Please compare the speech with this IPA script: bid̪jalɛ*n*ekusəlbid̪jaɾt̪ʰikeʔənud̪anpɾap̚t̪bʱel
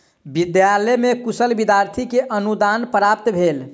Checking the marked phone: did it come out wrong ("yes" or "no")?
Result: yes